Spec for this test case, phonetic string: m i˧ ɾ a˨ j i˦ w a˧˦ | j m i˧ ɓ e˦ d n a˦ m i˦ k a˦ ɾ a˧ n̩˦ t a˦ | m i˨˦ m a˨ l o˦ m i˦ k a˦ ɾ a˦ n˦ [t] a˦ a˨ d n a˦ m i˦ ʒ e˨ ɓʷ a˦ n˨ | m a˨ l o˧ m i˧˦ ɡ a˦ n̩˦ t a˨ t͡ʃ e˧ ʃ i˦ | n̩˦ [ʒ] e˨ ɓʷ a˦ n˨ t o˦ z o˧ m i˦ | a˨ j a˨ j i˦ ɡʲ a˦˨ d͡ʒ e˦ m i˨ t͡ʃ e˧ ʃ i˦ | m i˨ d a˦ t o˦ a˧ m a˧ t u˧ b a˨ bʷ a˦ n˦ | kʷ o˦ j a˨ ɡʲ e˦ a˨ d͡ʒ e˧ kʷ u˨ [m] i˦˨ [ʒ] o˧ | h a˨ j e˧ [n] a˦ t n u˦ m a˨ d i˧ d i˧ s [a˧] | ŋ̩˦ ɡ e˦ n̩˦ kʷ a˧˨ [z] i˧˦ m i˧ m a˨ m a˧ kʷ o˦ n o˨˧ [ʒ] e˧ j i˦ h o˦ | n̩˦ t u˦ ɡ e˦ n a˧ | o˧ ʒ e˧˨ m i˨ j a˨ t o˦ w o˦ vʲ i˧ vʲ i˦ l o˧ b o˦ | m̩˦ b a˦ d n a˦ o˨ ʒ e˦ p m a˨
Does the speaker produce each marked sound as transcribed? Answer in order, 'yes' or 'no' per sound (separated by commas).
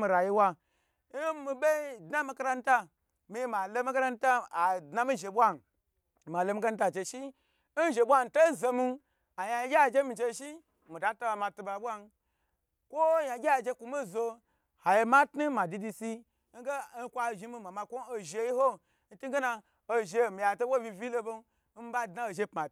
yes, yes, yes, no, no, no, no, yes